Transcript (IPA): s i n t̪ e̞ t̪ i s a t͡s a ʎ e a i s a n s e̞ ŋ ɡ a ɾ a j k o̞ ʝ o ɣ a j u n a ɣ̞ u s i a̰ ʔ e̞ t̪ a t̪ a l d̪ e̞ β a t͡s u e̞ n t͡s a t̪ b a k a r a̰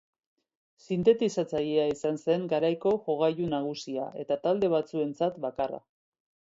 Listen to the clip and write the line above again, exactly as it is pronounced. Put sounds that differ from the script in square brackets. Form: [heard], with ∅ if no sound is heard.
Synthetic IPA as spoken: s i n t̪ e̞ t̪ i s a t͡s a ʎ e a i s a n s e̞ ŋ ɡ a ɾ a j k o̞ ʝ o ɣ a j u n a ɣ̞ u s i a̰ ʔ e̞ t̪ a t̪ a l d̪ e̞ β a t͡s u e̞ n t͡s a t̪ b a k a r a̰